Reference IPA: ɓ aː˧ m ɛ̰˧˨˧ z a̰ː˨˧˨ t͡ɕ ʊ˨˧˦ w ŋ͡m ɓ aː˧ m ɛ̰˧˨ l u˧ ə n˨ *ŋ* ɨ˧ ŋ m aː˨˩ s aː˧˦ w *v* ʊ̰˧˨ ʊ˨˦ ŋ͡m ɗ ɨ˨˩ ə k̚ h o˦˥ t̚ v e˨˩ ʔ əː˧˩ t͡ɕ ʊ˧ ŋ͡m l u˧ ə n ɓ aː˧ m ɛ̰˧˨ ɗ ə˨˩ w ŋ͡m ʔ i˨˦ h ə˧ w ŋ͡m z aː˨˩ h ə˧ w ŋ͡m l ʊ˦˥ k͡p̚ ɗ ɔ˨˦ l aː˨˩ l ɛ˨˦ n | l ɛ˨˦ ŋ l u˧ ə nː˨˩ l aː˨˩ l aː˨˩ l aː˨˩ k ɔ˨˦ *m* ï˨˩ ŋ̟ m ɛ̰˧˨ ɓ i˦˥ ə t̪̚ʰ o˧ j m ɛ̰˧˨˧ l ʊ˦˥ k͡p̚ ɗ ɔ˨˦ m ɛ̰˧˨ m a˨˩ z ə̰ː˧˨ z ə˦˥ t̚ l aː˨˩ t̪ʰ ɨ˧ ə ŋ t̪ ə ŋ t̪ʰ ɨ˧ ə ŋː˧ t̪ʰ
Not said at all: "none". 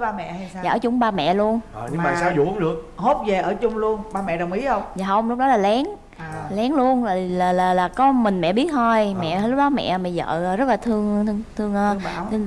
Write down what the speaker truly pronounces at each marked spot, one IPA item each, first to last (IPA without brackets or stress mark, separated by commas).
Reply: ɲ, z, m